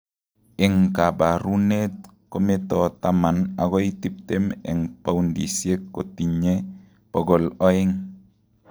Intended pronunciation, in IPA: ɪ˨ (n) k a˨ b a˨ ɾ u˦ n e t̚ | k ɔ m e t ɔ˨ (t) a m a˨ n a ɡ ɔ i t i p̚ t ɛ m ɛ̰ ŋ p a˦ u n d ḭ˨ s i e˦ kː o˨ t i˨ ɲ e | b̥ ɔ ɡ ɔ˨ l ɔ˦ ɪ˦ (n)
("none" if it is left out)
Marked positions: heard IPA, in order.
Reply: ŋ, t, ŋ

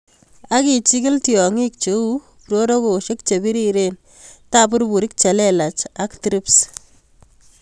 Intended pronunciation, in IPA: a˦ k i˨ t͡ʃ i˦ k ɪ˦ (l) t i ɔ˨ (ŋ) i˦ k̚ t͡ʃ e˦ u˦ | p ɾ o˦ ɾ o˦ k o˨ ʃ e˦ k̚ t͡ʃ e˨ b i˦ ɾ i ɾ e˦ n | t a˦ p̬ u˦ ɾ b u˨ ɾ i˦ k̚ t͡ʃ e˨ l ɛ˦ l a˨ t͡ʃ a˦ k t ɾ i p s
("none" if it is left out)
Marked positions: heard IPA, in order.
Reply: l, ŋ

